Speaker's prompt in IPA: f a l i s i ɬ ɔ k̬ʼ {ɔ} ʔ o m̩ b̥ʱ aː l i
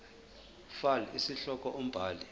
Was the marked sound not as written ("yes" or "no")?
no